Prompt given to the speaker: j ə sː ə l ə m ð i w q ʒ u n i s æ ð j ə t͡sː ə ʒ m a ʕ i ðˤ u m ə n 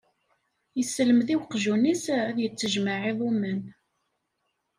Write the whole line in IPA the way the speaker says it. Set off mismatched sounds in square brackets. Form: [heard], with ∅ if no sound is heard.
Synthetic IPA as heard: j ə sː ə l ə m ð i w q ʒ u n i s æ ð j ə t͡sː ə ʒ m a ʕ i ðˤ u m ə n